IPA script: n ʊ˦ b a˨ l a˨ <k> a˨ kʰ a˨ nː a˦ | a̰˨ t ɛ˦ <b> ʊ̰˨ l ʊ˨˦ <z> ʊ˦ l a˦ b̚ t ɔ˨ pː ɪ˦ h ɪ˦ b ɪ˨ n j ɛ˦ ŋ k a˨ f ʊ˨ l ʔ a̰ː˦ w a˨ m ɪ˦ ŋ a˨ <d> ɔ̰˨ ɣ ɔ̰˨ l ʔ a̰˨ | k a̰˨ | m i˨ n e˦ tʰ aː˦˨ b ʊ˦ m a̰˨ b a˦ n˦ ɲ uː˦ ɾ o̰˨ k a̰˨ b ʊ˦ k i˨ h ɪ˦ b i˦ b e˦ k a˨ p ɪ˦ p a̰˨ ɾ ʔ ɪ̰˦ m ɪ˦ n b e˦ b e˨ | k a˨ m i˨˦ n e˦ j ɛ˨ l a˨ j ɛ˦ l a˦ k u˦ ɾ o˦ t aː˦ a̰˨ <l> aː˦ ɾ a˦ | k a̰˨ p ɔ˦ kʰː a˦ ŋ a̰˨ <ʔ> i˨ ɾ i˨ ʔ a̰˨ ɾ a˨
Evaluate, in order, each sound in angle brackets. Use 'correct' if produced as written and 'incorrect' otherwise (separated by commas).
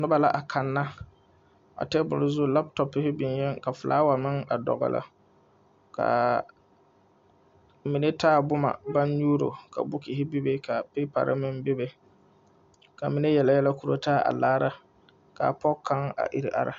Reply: incorrect, correct, correct, correct, correct, correct